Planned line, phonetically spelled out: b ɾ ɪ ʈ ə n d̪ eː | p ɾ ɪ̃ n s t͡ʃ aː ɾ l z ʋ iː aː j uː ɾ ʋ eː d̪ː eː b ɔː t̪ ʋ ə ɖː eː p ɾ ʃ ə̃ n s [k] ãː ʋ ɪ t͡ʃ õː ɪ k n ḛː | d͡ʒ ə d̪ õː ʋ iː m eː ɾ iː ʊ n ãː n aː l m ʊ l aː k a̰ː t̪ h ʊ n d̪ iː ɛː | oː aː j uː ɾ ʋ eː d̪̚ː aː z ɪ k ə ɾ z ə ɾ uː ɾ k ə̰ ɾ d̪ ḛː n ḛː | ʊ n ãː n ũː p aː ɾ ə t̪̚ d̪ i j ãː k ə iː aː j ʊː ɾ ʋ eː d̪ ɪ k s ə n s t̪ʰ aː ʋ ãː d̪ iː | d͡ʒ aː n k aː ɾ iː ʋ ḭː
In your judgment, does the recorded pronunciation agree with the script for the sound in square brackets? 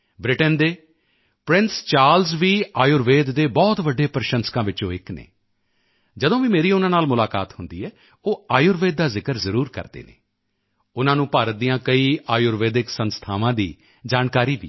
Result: yes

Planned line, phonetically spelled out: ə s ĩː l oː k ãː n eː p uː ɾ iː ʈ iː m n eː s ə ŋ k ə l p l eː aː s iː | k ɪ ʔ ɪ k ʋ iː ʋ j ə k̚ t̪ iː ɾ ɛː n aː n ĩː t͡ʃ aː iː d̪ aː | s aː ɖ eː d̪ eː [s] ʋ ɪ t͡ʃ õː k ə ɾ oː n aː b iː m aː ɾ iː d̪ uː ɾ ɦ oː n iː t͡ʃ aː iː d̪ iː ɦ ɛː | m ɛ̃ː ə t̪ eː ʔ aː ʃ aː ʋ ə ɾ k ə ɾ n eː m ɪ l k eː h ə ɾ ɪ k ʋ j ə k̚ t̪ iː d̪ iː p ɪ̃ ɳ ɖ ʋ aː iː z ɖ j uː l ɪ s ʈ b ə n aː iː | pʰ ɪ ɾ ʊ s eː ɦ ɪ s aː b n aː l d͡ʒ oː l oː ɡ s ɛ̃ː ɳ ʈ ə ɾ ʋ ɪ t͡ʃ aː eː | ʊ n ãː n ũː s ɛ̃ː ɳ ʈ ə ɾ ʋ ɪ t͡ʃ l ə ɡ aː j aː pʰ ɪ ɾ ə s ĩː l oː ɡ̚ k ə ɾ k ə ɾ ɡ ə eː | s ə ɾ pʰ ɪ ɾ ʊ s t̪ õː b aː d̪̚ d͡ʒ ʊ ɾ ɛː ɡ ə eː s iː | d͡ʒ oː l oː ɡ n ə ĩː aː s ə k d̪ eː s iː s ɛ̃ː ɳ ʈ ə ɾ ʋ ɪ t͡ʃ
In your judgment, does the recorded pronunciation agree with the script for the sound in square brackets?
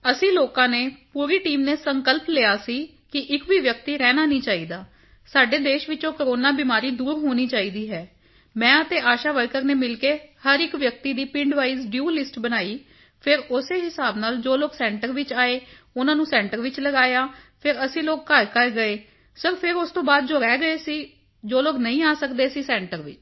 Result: no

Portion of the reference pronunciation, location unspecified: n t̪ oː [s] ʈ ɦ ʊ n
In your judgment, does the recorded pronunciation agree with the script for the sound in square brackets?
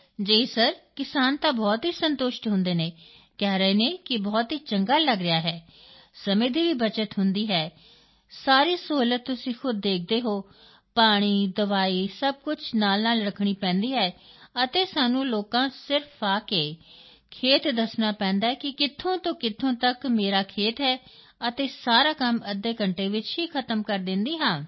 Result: no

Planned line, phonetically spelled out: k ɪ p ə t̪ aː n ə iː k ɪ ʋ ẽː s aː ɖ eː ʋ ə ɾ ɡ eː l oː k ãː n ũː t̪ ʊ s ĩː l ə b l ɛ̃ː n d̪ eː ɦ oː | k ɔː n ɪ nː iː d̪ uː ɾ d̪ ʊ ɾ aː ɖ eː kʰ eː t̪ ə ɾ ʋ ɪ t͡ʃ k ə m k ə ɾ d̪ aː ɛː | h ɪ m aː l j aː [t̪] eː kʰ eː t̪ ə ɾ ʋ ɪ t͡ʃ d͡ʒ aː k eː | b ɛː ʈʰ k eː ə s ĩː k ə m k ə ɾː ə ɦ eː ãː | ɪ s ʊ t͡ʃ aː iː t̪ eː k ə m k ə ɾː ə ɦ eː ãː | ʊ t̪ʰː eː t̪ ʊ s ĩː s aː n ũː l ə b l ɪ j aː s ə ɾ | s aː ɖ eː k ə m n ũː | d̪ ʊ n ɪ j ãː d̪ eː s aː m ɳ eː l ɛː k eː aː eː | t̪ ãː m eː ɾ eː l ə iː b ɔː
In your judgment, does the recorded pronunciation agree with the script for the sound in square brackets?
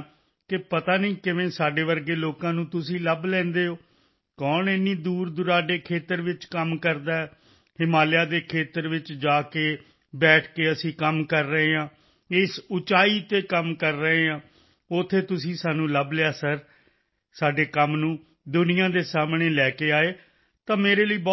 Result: no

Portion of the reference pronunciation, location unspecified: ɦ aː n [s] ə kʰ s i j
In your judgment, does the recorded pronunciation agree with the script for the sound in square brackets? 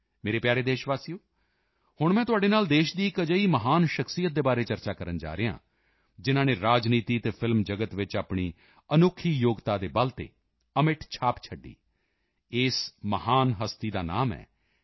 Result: no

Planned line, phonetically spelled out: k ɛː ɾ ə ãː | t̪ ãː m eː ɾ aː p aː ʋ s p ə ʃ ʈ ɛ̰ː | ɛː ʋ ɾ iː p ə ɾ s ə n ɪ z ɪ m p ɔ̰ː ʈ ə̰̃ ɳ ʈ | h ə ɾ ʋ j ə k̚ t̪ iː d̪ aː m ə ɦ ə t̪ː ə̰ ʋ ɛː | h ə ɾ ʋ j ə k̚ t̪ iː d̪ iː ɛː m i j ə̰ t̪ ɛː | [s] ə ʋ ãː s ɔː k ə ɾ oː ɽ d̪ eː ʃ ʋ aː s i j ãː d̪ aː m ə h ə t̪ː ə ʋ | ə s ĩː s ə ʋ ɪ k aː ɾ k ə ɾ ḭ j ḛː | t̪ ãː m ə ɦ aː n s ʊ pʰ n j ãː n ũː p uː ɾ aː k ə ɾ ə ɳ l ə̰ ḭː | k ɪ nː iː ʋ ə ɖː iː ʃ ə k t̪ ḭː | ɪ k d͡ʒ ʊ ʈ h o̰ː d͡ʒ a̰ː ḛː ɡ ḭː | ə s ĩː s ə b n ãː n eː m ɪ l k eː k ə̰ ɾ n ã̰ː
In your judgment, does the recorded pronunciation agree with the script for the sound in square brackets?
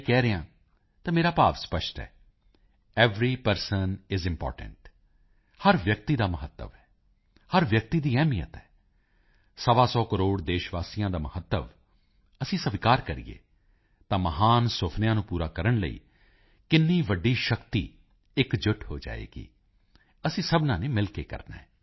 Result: yes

